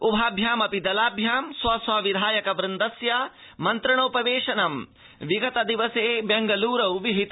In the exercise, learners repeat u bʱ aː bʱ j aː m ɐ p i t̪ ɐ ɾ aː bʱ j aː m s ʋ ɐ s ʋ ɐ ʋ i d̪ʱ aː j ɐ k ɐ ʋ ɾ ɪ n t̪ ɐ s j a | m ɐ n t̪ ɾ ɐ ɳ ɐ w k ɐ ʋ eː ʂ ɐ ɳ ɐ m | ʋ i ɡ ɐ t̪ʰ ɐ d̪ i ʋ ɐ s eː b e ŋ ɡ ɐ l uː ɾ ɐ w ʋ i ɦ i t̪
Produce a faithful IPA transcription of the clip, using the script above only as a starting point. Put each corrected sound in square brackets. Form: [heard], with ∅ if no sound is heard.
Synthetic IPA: u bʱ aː bʱ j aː m ɐ p i [d̪] ɐ [l] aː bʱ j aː m s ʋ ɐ s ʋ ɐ ʋ i d̪ʱ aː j ɐ k ɐ ʋ ɾ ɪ n [d̪] ɐ s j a | m ɐ n t̪ ɾ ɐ ɳ ɐ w [p] ɐ ʋ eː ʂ ɐ [n] ɐ m | ʋ i ɡ ɐ [t̪] ɐ d̪ i ʋ ɐ s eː b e ŋ ɡ ɐ l uː ɾ ɐ w ʋ i ɦ i t̪